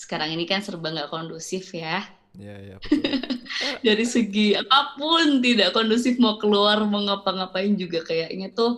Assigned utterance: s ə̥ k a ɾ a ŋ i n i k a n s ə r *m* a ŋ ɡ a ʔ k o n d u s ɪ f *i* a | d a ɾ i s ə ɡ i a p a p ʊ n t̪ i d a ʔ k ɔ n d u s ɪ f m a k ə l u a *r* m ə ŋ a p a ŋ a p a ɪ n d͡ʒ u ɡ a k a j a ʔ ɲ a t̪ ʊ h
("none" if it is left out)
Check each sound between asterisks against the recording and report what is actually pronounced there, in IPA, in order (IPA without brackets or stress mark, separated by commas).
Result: b, j, r